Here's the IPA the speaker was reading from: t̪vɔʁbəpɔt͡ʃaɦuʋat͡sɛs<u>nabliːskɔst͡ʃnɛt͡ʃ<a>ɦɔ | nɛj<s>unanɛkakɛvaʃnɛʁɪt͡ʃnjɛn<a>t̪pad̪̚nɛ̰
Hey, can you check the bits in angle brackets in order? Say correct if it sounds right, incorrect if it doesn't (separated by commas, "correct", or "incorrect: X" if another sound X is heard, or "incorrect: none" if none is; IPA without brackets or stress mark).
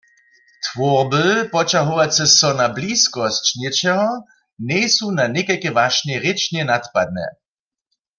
incorrect: ɔ, incorrect: ɛ, correct, correct